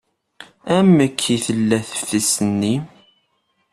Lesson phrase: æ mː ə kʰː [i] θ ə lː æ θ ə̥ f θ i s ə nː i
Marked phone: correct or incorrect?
correct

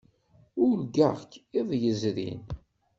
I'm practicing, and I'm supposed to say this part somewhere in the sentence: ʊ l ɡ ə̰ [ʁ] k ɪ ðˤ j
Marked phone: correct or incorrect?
correct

